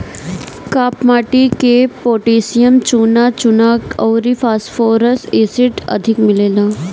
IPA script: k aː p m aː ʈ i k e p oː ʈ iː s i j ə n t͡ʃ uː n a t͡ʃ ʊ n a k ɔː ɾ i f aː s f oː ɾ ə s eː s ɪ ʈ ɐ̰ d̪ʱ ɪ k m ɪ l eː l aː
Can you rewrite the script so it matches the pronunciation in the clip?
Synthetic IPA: k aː p m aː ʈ i k e p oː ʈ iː s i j ə m t͡ʃ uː n a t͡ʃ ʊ n a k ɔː ɾ i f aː s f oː ɾ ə s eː s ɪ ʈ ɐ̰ d̪ʱ ɪ k m ɪ l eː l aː

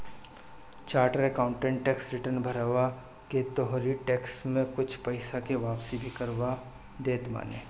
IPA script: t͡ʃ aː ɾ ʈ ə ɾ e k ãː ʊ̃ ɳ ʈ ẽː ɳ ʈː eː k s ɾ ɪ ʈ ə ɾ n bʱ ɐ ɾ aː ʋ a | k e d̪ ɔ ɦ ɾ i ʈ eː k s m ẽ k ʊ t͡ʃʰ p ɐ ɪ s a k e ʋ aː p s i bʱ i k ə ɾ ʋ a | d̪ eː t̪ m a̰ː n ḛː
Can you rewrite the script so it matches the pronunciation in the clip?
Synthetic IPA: t͡ʃ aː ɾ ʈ ə ɾ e k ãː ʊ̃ ɳ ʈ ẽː ɳ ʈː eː k s ɾ ɪ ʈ ə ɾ n bʱ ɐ ɾ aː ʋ a | k e t̪ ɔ ɦ ɾ i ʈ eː k s m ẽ k ʊ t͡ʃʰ p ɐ ɪ s a k e ʋ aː p s i bʱ i k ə ɾ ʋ a | d̪ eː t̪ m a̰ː n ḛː

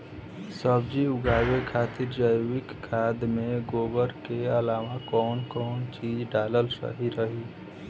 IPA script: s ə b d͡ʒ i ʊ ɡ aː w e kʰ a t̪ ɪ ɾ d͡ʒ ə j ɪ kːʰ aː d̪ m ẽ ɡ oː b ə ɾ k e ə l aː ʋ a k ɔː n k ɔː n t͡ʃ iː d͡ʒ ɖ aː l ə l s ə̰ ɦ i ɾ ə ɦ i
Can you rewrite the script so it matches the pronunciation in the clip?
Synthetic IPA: s ə b d͡ʒ i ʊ ɡ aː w e kʰ a t̪ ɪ ɾ d͡ʒ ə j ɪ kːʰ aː d̪ m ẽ ɡ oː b ə ɾ k e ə l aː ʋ a k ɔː n k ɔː n t͡ʃ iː d͡ʒ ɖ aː l ə l s ə̰ ɦ i ɾ ə ɦ i

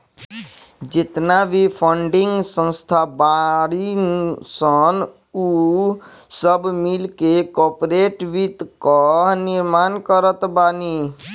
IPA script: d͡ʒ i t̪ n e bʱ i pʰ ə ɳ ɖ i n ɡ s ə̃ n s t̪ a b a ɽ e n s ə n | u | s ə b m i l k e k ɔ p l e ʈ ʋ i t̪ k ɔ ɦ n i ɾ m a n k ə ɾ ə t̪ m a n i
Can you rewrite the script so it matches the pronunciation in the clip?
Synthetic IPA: d͡ʒ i t̪ n a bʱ i pʰ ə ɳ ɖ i ŋ ɡ s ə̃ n s t̪ʰ a b a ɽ i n s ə n | u | s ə b m i l k e k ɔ p ɾ e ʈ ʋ i t̪ k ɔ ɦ n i ɾ m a n k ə ɾ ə t̪ b a n i

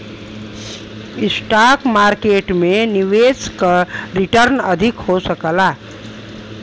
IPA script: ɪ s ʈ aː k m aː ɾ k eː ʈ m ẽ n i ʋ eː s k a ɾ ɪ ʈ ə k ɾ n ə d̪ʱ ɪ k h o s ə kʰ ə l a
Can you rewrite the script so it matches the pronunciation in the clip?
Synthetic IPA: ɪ s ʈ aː k m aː ɾ k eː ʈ m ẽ n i ʋ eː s k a ɾ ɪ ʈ ə ɾ n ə d̪ʱ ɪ k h o s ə k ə l a

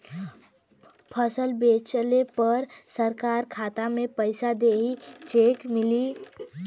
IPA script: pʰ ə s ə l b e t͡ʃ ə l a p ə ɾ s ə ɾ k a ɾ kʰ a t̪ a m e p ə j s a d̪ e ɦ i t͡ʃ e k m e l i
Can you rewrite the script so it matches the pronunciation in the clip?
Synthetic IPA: pʰ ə s ə l b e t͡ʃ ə l e p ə ɾ s ə ɾ k a ɾ kʰ a t̪ a m e p ə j s a d̪ e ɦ i t͡ʃ e k m i l i

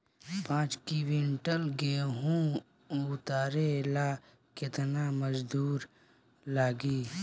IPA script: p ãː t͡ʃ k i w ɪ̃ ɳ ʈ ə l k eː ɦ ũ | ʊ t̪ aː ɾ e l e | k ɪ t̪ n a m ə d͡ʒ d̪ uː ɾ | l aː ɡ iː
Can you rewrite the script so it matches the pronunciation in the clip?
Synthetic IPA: p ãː t͡ʃ k i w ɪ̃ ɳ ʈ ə l ɡ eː ɦ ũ | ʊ t̪ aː ɾ e l a | k ɪ t̪ n a m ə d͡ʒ d̪ uː ɾ | l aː ɡ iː

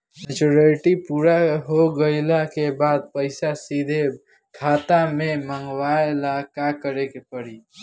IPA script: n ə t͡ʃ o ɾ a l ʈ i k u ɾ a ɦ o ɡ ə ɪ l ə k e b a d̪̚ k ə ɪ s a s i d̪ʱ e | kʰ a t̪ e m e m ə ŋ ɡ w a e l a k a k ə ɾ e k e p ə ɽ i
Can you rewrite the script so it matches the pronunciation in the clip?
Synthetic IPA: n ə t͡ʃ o ɾ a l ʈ i p u ɾ a ɦ o ɡ ə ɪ l a k e b a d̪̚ p ə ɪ s a s i d̪ʱ e | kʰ a t̪ a m e m ə ŋ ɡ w a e l a k a k ə ɾ e k e p ə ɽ i

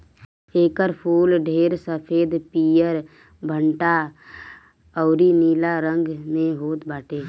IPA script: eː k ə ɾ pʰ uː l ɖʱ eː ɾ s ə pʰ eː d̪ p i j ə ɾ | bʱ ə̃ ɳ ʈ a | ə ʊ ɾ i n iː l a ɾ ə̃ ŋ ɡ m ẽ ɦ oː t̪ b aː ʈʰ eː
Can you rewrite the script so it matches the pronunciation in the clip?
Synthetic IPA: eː k ə ɾ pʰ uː l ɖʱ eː ɾ s ə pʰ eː d̪ p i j ə ɾ | bʱ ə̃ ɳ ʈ a | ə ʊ ɾ i n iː l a ɾ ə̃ ŋ ɡ m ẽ ɦ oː t̪ b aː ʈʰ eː

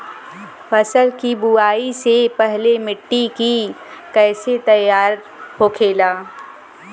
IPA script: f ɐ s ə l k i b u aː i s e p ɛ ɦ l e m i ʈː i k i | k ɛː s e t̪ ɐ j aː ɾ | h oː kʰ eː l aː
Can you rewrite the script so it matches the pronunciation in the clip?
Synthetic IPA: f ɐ s ə l k i b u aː i s e p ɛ ɦ l e m ɪ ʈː i k i | k ɛː s e t̪ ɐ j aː ɾ | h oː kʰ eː l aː

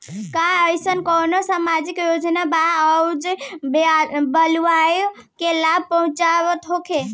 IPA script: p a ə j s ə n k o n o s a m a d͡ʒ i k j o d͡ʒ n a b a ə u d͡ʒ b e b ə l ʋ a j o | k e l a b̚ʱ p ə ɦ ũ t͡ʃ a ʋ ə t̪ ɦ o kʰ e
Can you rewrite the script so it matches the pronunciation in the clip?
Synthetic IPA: k a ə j s ə n k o n o s a m a d͡ʒ i k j o d͡ʒ n a b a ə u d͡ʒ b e b ə l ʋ a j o | k e l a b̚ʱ p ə ɦ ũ t͡ʃ a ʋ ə t̪ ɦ o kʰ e

